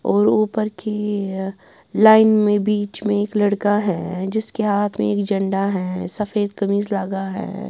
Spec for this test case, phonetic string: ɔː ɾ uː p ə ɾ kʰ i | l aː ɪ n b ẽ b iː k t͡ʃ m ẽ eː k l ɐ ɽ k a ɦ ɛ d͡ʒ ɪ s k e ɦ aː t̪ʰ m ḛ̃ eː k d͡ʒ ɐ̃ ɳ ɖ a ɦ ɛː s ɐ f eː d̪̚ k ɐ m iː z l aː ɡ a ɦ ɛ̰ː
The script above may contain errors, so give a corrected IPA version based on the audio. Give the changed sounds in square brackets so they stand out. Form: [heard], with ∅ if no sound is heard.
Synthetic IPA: ɔː ɾ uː p ə ɾ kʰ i | l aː ɪ n [m] ẽ b iː [∅] t͡ʃ m ẽ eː k l ɐ ɽ k a ɦ ɛ d͡ʒ ɪ s k e ɦ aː t̪ʰ m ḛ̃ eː k d͡ʒ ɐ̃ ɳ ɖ a ɦ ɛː s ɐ f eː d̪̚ k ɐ m iː z l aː ɡ a ɦ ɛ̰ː